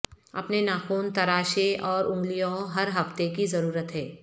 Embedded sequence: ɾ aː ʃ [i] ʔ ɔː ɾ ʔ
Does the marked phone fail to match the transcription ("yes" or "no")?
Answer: yes